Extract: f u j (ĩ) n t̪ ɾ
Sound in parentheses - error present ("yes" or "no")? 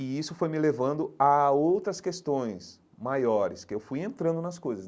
yes